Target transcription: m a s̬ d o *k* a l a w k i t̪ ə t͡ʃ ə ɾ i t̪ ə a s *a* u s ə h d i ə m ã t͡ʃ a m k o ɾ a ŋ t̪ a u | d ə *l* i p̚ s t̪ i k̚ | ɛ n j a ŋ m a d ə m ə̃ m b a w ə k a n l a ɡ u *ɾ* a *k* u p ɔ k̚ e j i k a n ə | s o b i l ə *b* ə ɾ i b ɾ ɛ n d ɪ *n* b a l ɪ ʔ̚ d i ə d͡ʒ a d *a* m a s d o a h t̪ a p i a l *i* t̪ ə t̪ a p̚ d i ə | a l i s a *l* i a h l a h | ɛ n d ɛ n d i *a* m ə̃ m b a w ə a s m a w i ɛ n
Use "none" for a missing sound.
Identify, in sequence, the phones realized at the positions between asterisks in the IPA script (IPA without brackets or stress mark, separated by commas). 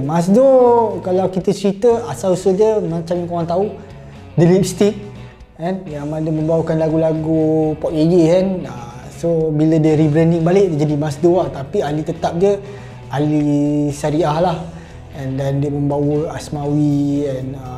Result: k, a, l, l, ɡ, d, ŋ, i, i, ɾ, ə